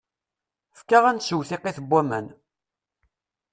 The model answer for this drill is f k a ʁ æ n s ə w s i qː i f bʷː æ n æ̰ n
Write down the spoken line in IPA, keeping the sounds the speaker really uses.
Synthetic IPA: f k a ʁ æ n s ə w θ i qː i θ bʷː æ m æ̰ n